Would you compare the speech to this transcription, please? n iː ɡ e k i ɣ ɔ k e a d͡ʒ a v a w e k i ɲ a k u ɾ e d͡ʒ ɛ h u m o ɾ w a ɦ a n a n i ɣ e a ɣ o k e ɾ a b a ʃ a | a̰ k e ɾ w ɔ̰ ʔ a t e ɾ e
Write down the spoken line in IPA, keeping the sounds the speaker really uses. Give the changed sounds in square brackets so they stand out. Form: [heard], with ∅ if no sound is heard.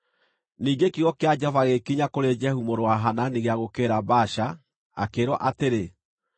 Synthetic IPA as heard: n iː ɡ e k i ɣ ɔ k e a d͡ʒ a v a [ɣ] e k i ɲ a k [o] ɾ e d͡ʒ ɛ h u m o ɾ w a ɦ a n a n i ɣ e a ɣ o k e ɾ a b a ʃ a | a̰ k e ɾ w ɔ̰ ʔ a t e ɾ e